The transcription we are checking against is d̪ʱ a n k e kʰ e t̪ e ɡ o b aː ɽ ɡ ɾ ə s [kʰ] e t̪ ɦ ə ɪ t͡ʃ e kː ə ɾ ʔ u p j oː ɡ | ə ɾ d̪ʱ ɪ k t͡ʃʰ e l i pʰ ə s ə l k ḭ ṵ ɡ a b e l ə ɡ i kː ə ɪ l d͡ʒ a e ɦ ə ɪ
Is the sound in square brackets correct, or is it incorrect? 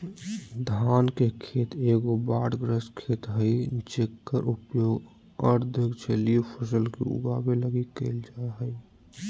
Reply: correct